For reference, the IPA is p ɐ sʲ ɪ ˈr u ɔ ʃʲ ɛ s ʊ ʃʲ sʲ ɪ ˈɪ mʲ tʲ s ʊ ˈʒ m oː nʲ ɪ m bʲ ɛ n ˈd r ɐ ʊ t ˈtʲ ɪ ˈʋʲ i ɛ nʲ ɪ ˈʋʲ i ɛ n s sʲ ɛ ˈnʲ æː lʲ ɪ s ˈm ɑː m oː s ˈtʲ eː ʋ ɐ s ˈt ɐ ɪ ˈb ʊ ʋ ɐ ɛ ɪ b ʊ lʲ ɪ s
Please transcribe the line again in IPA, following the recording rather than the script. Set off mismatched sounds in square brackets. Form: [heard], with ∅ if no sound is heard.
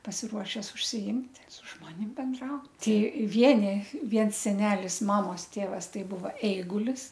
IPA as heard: p ɐ sʲ ɪ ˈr u ɔ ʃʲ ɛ s ʊ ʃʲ sʲ ɪ ˈɪ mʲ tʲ s ʊ ˈʒ m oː nʲ ɪ m bʲ ɛ n ˈd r ɐ ʊ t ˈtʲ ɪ ˈʋʲ i ɛ nʲ ɪ ˈʋʲ i ɛ n s sʲ ɛ ˈnʲ æː lʲ ɪ s ˈm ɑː m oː s ˈtʲ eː ʋ ɐ s ˈt ɐ ɪ ˈb ʊ ʋ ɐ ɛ ɪ [ɡ] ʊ lʲ ɪ s

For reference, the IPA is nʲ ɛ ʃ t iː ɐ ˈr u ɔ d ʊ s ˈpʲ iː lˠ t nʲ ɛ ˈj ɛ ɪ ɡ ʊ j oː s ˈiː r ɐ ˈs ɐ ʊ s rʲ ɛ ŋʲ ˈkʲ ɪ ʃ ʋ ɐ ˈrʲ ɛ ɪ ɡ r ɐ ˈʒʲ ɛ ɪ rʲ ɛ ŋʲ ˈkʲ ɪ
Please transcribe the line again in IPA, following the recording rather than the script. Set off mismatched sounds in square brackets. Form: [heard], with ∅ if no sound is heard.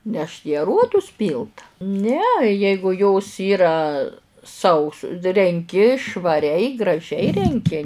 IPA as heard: nʲ ɛ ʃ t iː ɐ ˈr u ɔ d ʊ s ˈpʲ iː lˠ t nʲ ɛ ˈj ɛ ɪ ɡ ʊ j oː s ˈiː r ɐ ˈs ɐ ʊ s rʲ ɛ ŋʲ ˈkʲ ɪ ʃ ʋ ɐ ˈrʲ ɛ ɪ ɡ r ɐ ˈʒʲ ɛ ɪ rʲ ɛ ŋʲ ˈkʲ ɪ

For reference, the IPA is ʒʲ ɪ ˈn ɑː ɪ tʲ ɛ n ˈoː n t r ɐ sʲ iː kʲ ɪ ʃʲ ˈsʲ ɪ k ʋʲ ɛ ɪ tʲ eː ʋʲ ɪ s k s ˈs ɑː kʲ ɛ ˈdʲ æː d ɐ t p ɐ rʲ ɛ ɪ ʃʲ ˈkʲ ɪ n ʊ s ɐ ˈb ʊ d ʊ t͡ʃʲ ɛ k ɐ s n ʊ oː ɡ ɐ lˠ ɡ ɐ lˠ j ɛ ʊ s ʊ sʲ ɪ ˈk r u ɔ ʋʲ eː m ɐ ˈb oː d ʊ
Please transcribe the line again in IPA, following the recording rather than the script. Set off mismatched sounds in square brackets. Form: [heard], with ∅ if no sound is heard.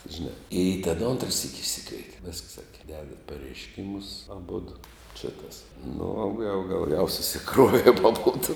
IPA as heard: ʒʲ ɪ ˈn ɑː ɪ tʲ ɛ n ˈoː n t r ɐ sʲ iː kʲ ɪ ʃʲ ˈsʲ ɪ k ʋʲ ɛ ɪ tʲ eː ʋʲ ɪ s k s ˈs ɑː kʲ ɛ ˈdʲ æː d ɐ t p ɐ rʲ ɛ ɪ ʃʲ ˈkʲ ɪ [m] ʊ s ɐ ˈb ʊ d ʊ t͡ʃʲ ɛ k ɐ s n ʊ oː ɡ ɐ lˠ ɡ ɐ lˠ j ɛ ʊ s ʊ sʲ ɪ ˈk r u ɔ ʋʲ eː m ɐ ˈb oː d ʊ

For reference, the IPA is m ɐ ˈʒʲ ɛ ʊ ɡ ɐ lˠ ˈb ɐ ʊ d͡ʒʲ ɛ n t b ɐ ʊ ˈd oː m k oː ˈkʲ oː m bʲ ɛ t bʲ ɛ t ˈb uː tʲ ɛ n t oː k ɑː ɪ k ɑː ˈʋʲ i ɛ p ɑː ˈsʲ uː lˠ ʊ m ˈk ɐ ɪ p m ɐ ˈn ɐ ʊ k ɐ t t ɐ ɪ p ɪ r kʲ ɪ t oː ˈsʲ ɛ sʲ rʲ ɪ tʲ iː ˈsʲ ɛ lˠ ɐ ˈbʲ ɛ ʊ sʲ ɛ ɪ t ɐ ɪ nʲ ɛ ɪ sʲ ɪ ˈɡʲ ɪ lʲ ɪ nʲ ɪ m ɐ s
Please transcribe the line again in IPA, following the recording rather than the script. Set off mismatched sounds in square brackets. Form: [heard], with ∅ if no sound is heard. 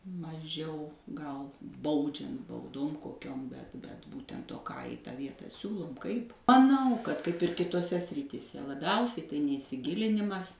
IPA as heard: m ɐ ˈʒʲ ɛ ʊ ɡ ɐ lˠ ˈb ɐ ʊ d͡ʒʲ ɛ n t b ɐ ʊ ˈd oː m k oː ˈkʲ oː m bʲ ɛ t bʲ ɛ t ˈb uː tʲ ɛ n t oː k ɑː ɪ [t] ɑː ˈʋʲ i ɛ [t] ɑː ˈsʲ uː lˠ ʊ m ˈk ɐ ɪ p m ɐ ˈn ɐ ʊ k ɐ t [k] ɐ ɪ p ɪ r kʲ ɪ t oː ˈsʲ ɛ sʲ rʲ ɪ tʲ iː ˈsʲ ɛ lˠ ɐ ˈbʲ ɛ ʊ sʲ ɛ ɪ t ɐ ɪ nʲ ɛ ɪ sʲ ɪ ˈɡʲ ɪ lʲ ɪ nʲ ɪ m ɐ s

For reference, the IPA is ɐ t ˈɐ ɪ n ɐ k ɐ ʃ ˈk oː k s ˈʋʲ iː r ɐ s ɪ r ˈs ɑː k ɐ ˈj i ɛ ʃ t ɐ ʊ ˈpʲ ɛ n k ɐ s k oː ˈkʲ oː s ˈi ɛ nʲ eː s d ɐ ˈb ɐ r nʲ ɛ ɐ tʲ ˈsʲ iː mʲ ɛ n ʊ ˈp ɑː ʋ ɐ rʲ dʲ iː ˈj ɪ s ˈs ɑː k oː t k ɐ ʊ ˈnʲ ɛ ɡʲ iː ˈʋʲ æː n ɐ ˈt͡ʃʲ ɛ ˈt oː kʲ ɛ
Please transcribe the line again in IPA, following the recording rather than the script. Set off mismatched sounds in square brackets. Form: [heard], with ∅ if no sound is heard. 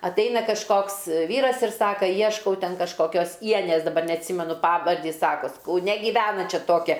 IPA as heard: ɐ t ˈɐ ɪ n ɐ k ɐ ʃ ˈk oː k s ˈʋʲ iː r ɐ s ɪ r ˈs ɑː k ɐ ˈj i ɛ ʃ [k] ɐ ʊ [ˈtʲ] ɛ n k ɐ [ʃ] k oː ˈkʲ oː s ˈi ɛ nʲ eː s d ɐ ˈb ɐ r nʲ ɛ ɐ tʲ ˈsʲ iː mʲ ɛ n ʊ ˈp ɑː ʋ ɐ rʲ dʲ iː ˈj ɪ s ˈs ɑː k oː [s] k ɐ ʊ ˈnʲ ɛ ɡʲ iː ˈʋʲ æː n ɐ ˈt͡ʃʲ ɛ ˈt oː kʲ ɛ

